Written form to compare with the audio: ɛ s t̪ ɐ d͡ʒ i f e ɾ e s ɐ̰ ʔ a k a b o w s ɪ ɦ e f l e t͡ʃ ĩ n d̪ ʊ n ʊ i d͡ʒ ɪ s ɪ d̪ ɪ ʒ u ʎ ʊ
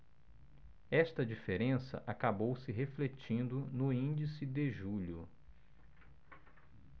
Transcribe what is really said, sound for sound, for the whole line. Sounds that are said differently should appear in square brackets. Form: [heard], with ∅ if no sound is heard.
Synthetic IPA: ɛ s t̪ ɐ d͡ʒ i f e ɾ [ẽ] s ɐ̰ ʔ a k a b o w s ɪ ɦ e f l e t͡ʃ ĩ n d̪ ʊ n ʊ [ĩ] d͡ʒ [i] s ɪ d̪ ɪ ʒ u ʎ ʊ